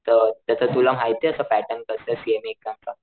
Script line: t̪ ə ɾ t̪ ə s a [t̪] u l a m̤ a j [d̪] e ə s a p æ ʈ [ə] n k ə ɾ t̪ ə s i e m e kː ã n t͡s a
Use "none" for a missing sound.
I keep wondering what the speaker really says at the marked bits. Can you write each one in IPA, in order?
t̪, t̪, ə

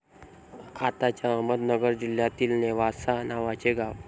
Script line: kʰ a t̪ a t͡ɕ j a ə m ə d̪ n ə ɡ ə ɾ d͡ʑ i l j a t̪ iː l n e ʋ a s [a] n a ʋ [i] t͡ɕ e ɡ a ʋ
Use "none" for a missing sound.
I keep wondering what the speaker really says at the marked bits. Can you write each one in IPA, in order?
a, a

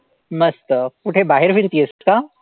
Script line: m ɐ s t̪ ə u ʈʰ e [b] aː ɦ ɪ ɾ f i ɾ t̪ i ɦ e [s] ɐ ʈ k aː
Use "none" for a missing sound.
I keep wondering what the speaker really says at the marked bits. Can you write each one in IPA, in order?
b, s

